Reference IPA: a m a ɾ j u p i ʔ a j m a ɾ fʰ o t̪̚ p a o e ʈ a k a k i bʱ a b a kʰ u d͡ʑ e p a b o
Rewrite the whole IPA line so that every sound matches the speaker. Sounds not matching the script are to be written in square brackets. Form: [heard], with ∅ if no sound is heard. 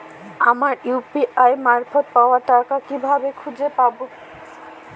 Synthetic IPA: a m a ɾ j u p i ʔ a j m a ɾ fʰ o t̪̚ p a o [a] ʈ a k a k i bʱ a b [e] kʰ u d͡ʑ e p a b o